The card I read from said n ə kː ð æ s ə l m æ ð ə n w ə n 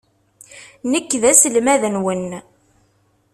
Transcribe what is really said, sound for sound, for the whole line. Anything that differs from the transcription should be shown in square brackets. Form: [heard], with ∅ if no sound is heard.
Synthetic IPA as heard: n ə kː ð æ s ə l m æ ð ə n w ə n